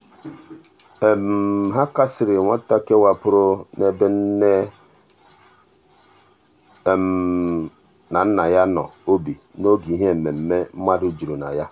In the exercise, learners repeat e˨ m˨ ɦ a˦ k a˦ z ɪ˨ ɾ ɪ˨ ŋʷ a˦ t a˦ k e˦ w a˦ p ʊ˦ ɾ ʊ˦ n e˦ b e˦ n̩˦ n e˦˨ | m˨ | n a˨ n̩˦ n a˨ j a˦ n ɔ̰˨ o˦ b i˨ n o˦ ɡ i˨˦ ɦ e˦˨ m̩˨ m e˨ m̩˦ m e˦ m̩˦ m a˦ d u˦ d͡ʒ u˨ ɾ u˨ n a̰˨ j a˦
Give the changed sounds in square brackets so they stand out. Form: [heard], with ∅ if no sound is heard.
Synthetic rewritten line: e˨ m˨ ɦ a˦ k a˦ [s] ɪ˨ ɾ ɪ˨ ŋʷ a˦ t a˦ k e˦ w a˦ p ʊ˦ ɾ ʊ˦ n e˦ b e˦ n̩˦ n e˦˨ | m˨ | n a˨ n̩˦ n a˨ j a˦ n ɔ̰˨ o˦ b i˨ n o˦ ɡ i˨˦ ɦ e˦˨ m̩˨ m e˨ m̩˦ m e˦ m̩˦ m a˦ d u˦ d͡ʒ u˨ ɾ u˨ n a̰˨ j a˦

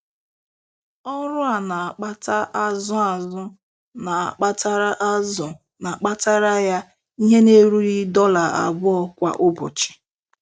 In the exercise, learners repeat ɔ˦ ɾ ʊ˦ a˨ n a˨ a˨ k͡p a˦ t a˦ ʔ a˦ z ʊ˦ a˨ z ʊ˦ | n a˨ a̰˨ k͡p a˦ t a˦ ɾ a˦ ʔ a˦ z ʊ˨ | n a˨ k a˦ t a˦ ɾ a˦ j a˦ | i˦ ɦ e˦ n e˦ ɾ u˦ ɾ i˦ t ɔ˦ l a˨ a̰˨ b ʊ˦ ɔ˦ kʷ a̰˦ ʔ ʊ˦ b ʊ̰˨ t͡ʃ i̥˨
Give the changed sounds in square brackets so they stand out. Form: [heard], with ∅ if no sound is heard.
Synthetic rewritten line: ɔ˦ ɾ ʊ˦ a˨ n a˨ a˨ k͡p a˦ t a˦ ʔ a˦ z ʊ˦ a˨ z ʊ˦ | n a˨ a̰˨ k͡p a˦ t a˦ ɾ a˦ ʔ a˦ z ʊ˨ | n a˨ [k͡p] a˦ t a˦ ɾ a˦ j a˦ | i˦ ɦ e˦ n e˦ ɾ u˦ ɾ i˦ [d] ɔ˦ l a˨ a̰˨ b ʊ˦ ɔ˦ kʷ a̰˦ ʔ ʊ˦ b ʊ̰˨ t͡ʃ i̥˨

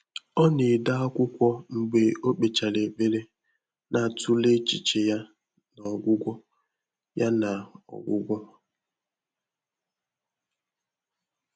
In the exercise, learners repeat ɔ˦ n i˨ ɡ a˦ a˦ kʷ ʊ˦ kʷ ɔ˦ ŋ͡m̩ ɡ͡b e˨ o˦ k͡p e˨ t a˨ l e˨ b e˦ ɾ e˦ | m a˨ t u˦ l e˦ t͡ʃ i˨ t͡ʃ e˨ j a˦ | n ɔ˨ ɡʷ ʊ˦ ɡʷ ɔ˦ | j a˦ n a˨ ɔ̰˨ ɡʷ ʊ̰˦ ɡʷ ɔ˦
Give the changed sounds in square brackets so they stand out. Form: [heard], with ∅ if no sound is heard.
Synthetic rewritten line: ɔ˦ n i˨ [d] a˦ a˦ kʷ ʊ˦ kʷ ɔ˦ ŋ͡m̩ ɡ͡b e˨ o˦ k͡p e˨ [t͡ʃ] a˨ l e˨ b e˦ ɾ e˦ | [n] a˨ t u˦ l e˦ t͡ʃ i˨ t͡ʃ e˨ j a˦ | n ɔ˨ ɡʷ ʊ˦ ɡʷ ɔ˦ | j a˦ n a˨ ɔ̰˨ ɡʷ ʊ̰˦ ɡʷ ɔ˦

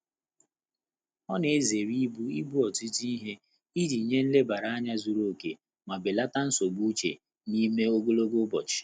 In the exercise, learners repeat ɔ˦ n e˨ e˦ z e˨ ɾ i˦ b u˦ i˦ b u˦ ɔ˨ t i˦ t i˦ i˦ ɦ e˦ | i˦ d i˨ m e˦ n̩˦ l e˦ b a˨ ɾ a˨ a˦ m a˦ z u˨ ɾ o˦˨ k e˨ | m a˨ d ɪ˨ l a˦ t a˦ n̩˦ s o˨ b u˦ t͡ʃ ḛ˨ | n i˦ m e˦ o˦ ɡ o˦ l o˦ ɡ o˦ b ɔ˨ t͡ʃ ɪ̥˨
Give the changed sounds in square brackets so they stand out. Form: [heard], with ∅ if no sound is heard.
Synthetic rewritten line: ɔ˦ n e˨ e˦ z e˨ ɾ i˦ b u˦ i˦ b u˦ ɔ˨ t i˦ t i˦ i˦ ɦ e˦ | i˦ d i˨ [ɲ] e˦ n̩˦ l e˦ b a˨ ɾ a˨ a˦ [ɲ] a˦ z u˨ ɾ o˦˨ k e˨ | m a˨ [b] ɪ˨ l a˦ t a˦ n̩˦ s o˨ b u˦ t͡ʃ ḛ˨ | n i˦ m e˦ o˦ ɡ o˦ l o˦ ɡ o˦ b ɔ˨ t͡ʃ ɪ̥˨

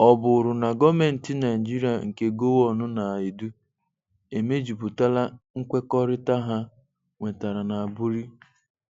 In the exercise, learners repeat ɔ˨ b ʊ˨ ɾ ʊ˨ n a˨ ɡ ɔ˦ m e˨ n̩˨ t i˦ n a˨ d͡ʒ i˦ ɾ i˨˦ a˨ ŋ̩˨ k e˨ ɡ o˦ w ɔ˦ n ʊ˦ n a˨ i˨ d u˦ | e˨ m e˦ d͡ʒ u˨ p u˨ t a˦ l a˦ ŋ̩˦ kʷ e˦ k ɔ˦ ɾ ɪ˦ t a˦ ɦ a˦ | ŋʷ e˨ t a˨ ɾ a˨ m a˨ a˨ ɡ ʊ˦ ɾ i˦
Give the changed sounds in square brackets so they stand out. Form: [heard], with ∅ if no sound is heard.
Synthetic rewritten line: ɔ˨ b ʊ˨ ɾ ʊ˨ n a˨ ɡ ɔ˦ m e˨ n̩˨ t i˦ n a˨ d͡ʒ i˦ ɾ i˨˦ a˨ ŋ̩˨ k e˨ ɡ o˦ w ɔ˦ n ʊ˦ n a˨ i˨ d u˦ | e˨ m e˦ d͡ʒ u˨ p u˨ t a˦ l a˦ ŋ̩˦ kʷ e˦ k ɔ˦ ɾ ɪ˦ t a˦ ɦ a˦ | ŋʷ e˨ t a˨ ɾ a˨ [n] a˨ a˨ [b] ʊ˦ ɾ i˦

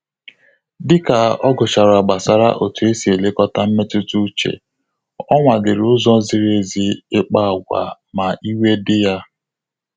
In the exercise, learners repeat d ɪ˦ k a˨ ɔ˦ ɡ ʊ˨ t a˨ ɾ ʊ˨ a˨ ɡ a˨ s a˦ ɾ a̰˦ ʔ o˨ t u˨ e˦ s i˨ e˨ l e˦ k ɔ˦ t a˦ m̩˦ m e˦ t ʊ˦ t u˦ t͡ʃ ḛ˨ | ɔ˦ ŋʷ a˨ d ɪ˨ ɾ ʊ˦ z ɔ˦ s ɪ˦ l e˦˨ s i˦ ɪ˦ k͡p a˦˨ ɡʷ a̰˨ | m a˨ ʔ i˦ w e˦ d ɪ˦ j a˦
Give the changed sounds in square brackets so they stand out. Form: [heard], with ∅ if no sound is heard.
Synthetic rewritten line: d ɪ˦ k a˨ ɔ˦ ɡ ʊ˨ [t͡ʃ] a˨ ɾ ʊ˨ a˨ [ɡ͡b] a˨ s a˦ ɾ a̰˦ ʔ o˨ t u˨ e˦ s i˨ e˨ l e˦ k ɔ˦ t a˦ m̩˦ m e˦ t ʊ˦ t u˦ t͡ʃ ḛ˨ | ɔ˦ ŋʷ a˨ d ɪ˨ ɾ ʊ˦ z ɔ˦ [z] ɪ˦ [ɾ] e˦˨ [z] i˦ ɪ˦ k͡p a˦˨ ɡʷ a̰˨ | m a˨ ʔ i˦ w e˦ d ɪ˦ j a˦

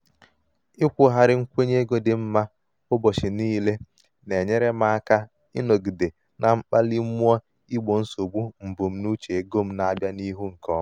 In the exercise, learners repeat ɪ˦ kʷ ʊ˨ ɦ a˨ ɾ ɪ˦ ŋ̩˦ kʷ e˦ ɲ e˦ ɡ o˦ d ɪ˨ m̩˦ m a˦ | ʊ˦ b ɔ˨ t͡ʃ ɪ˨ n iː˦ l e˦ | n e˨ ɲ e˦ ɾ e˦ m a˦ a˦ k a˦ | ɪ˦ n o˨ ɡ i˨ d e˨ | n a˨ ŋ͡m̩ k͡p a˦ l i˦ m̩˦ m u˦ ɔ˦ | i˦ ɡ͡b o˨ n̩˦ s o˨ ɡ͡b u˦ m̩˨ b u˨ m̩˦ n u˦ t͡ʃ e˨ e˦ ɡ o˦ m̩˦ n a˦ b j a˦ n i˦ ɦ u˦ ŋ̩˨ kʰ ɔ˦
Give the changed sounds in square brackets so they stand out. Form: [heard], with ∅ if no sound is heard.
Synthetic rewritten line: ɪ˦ kʷ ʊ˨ ɦ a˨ ɾ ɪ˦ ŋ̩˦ kʷ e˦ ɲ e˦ ɡ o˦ d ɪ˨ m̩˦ m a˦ | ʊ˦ b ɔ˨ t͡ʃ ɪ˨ n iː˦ l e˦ | n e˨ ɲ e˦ ɾ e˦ m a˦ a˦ k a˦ | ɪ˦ n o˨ ɡ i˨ d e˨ | n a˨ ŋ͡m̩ k͡p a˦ l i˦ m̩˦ m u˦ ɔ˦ | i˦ ɡ͡b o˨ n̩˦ s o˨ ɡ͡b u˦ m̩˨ b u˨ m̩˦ n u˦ t͡ʃ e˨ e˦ ɡ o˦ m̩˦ n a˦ b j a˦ n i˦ ɦ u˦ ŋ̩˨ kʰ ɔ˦

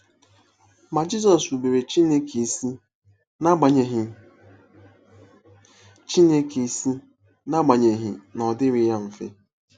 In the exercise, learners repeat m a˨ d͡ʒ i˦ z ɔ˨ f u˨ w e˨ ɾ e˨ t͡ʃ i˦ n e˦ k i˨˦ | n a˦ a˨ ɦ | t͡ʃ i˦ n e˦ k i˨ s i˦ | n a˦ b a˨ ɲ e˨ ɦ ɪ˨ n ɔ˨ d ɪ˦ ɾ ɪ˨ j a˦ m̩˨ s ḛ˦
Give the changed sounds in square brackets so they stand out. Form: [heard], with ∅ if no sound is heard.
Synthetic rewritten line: m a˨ d͡ʒ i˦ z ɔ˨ [s] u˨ [b] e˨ ɾ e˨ t͡ʃ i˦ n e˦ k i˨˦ | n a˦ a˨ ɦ | t͡ʃ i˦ n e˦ k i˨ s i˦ | n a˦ [ɡ͡b] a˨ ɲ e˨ ɦ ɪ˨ n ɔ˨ d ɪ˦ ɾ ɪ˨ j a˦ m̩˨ [f] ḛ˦

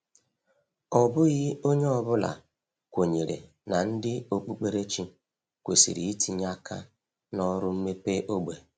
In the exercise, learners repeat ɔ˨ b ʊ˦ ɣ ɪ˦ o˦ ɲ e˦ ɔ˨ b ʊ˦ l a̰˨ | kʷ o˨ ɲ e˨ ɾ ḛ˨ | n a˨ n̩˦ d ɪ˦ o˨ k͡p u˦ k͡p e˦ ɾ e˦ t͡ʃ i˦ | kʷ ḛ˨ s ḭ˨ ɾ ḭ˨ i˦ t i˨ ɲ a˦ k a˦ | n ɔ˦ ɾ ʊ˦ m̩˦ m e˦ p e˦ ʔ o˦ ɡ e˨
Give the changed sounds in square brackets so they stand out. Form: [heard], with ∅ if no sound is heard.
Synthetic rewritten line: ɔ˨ b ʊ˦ ɣ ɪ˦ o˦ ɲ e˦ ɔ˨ b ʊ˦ l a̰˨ | kʷ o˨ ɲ e˨ ɾ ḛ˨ | n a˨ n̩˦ d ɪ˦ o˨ k͡p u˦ k͡p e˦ ɾ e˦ t͡ʃ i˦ | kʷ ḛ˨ s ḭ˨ ɾ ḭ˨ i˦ t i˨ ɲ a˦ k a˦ | n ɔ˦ ɾ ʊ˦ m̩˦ m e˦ p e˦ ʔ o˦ [ɡ͡b] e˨

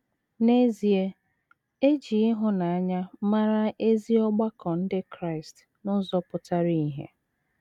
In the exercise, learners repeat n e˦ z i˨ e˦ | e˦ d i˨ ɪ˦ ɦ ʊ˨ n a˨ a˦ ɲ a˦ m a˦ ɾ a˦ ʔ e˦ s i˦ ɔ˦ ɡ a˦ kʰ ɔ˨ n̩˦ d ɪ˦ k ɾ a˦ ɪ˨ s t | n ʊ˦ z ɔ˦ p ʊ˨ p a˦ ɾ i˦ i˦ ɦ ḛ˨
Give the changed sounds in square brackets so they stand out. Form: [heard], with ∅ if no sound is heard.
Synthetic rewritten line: n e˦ z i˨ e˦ | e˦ [d͡ʒ] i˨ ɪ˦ ɦ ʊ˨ n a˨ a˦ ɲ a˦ m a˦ ɾ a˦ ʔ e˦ [z] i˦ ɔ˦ [ɡ͡b] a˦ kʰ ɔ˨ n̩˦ d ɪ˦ k ɾ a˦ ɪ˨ s t | n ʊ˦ z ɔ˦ p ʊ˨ [t] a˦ ɾ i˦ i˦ ɦ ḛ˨

